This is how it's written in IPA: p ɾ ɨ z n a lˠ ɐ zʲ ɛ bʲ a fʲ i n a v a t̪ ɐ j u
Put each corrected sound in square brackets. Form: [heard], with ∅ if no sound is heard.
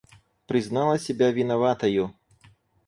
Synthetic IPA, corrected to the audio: p ɾ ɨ z n a lˠ ɐ [sʲ] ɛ bʲ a [vʲ] i n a v a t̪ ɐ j u